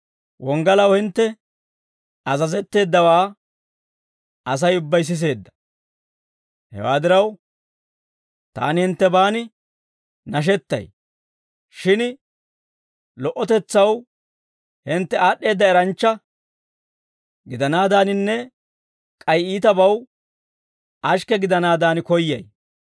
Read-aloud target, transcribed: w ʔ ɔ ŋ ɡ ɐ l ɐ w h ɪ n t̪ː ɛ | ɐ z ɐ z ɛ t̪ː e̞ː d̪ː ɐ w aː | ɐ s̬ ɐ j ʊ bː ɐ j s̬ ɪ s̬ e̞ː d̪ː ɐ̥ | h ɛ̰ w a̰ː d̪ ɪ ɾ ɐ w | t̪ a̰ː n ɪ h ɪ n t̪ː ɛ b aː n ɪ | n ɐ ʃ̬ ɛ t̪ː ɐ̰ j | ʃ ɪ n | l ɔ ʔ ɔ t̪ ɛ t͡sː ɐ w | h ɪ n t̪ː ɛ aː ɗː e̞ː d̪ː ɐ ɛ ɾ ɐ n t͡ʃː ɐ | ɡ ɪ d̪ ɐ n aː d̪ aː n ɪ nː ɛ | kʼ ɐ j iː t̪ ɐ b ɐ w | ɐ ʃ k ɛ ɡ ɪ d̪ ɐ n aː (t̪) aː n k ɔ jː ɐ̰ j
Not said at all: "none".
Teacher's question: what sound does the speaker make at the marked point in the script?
d̪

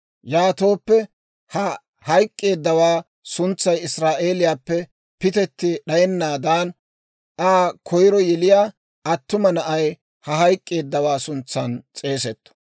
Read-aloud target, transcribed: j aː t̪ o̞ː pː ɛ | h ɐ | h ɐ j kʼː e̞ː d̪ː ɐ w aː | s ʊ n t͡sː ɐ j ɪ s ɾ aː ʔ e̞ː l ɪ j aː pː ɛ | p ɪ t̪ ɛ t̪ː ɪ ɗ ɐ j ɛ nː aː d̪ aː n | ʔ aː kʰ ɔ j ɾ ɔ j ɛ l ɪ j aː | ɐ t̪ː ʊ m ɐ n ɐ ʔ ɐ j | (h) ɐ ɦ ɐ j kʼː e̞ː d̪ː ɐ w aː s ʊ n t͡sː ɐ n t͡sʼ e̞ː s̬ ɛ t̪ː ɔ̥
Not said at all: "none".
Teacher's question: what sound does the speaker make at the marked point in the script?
h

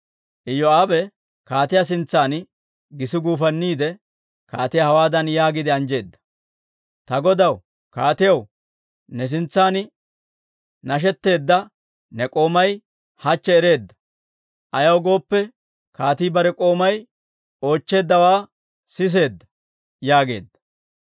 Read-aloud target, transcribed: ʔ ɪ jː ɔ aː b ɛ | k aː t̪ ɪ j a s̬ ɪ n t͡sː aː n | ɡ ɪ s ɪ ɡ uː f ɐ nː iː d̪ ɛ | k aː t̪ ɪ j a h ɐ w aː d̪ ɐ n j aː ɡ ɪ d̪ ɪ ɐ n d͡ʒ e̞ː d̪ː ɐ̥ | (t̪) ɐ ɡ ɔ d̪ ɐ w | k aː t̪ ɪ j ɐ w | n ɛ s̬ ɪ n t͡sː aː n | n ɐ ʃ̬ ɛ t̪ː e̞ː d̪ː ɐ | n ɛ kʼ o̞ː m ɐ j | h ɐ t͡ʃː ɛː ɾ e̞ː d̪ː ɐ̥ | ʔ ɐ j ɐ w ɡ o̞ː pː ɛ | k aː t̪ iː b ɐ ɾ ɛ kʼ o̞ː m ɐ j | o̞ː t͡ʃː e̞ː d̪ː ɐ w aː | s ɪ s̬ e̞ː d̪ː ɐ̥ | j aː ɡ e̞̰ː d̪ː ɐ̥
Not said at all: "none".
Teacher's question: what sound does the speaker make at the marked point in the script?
t̪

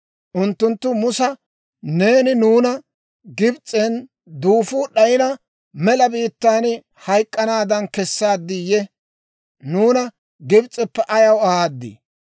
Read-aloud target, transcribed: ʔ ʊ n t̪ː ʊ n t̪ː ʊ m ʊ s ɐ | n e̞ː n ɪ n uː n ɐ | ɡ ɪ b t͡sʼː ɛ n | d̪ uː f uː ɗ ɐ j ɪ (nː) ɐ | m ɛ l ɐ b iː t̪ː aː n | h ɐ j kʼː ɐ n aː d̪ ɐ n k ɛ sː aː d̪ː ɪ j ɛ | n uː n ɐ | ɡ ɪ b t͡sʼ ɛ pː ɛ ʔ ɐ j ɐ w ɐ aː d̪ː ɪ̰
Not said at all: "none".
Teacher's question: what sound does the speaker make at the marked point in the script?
n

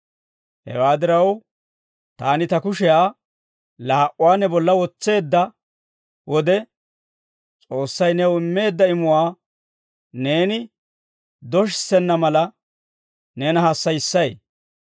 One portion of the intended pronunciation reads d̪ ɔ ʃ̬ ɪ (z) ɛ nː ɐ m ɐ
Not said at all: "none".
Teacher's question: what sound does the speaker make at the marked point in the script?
s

